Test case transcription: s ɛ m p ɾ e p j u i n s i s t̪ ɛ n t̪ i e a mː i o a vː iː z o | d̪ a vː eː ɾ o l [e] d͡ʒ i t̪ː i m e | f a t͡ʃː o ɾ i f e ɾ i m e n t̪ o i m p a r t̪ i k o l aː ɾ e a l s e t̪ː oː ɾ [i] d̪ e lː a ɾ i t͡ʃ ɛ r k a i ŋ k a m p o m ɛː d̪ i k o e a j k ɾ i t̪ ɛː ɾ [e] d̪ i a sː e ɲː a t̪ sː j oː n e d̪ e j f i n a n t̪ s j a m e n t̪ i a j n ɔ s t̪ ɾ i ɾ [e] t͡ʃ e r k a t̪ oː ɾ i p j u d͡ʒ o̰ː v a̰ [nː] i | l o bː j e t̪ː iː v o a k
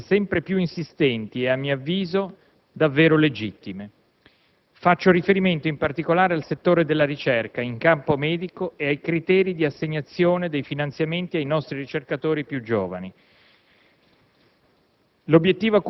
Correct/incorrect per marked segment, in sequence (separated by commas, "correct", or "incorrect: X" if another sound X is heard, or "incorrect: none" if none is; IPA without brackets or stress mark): correct, incorrect: e, incorrect: i, incorrect: i, incorrect: n